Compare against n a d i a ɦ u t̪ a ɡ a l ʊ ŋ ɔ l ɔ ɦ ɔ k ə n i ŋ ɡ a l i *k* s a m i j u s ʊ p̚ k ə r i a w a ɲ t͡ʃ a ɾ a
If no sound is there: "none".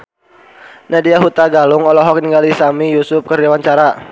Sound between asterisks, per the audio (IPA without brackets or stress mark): none